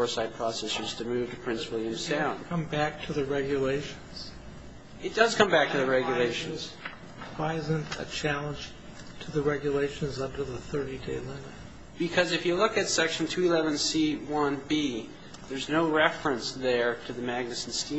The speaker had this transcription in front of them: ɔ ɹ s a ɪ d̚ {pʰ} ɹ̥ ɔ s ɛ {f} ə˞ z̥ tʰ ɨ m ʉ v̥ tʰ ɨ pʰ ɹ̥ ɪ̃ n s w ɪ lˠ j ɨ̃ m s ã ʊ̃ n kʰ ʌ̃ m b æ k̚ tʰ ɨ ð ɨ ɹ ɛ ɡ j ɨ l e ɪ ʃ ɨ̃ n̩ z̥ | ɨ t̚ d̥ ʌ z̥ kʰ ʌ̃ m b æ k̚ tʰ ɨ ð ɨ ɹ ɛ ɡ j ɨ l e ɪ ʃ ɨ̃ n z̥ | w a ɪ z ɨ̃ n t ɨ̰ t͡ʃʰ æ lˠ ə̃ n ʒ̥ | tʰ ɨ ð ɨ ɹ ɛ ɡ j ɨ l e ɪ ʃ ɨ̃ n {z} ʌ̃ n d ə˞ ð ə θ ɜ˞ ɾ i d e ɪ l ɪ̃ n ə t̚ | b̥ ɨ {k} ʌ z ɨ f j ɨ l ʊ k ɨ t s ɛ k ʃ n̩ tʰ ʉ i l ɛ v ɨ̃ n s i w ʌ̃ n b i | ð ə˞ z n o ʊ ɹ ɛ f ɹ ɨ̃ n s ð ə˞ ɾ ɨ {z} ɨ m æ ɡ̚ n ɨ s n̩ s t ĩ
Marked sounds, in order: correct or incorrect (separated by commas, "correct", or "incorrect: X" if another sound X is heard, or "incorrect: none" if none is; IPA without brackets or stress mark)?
correct, incorrect: s, correct, incorrect: kʰ, incorrect: ð